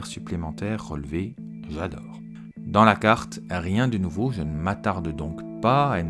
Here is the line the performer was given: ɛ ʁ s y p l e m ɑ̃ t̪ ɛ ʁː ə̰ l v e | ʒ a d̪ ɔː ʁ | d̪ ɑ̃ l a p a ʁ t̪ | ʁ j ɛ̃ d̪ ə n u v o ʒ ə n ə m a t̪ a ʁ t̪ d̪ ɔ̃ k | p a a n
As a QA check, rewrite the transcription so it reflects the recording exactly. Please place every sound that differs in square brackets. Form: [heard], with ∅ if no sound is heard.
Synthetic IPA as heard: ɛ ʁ s y p l e m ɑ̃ t̪ ɛ ʁː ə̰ l v e | ʒ a d̪ ɔː ʁ | d̪ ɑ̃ l a [k] a ʁ t̪ | ʁ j ɛ̃ d̪ ə n u v o ʒ ə n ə m a t̪ a ʁ [d̪] d̪ ɔ̃ k | p a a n